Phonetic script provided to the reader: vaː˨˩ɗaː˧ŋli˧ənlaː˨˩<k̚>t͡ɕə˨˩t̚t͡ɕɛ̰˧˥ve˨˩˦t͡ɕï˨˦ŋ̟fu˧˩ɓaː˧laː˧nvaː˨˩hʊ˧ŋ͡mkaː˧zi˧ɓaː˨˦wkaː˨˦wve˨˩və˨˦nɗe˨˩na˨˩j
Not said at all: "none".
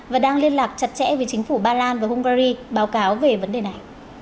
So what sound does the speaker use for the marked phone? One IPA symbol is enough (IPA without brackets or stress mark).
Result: k̚